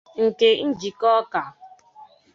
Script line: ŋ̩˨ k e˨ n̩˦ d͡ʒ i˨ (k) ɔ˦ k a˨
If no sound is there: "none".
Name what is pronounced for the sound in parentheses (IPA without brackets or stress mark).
k